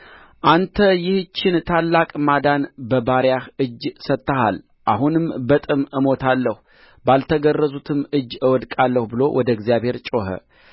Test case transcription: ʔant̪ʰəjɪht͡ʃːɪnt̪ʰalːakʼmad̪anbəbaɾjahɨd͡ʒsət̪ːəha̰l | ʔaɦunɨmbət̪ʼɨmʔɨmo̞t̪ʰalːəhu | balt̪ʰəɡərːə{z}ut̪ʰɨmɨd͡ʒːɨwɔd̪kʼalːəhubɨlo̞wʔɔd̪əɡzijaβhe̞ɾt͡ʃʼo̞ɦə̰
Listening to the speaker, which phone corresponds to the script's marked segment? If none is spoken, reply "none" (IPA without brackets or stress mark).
z